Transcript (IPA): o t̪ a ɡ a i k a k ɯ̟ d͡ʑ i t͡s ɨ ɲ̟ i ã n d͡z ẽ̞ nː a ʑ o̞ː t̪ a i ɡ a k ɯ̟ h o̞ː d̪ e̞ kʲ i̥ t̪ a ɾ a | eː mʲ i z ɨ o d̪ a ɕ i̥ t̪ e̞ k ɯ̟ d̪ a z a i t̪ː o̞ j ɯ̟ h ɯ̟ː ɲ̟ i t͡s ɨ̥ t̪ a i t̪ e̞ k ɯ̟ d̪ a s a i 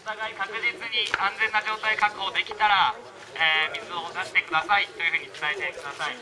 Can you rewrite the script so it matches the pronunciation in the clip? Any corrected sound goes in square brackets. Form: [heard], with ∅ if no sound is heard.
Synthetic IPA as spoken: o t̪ a ɡ a i k a k ɯ̟ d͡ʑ i t͡s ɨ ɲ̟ i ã n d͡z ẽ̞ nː a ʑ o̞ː t̪ a i [k] a k ɯ̟ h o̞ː d̪ e̞ kʲ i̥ t̪ a ɾ a | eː mʲ i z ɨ o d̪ a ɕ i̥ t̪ e̞ k ɯ̟ d̪ a [s] a i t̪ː o̞ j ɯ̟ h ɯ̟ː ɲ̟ i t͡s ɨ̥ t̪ a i t̪ e̞ k ɯ̟ d̪ a s a i